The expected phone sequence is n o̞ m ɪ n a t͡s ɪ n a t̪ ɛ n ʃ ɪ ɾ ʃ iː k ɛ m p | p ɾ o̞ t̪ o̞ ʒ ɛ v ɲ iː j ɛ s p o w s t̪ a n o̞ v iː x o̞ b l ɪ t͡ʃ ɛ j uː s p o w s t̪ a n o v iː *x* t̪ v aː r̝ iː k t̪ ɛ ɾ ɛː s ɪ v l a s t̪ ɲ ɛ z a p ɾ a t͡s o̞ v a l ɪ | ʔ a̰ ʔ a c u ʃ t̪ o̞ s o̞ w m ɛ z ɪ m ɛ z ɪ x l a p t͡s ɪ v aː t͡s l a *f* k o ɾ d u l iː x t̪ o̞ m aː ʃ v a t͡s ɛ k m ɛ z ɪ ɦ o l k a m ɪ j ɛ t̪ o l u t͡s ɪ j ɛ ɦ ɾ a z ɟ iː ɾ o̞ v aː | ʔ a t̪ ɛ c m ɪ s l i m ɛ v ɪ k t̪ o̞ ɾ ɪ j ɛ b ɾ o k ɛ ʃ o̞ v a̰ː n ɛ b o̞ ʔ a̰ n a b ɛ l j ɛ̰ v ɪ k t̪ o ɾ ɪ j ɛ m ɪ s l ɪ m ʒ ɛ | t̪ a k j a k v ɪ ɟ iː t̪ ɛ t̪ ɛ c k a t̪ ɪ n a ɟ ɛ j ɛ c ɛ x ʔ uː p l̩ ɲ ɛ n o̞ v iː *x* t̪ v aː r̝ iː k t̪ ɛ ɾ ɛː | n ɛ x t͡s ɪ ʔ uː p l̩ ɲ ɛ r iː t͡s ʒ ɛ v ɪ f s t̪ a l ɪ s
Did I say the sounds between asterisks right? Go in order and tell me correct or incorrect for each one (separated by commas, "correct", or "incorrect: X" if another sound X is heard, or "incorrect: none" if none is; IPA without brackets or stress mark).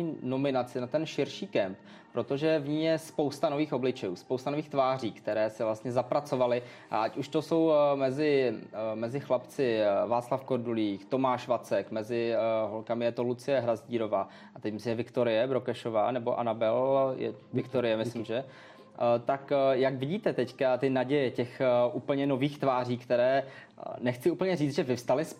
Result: correct, correct, correct